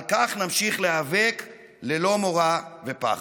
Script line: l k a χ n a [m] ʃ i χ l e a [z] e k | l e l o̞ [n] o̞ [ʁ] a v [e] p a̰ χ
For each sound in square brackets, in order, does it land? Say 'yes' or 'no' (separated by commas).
yes, no, no, yes, yes